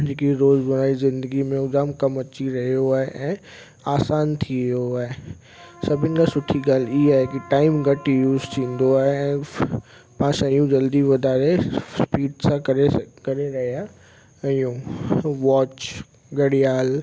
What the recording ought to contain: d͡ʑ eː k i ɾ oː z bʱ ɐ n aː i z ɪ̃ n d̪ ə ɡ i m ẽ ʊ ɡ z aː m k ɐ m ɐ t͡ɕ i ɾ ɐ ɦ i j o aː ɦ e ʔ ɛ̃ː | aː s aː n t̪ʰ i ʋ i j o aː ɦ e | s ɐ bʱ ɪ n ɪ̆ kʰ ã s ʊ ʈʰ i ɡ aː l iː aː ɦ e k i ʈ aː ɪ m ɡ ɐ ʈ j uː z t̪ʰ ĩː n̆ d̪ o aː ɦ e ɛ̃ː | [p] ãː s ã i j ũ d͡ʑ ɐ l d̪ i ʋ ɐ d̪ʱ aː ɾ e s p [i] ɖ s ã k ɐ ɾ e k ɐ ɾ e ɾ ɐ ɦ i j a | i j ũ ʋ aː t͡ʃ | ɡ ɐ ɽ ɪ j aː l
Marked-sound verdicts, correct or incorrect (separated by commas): correct, incorrect